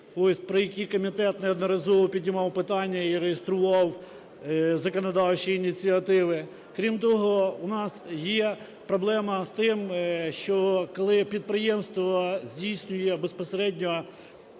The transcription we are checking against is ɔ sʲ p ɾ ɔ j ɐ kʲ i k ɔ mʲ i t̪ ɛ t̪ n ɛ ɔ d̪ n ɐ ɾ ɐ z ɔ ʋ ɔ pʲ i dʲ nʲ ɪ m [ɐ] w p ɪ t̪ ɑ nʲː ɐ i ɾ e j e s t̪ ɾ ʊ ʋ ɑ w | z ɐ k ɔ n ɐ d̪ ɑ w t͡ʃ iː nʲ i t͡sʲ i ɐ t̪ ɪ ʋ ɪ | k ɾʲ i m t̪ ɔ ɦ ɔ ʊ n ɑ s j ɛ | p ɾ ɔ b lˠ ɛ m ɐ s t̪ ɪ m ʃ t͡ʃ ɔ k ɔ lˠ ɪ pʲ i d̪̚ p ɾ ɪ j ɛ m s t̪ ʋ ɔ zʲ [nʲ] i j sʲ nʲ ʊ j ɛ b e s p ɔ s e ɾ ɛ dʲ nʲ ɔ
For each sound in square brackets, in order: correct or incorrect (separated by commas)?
incorrect, incorrect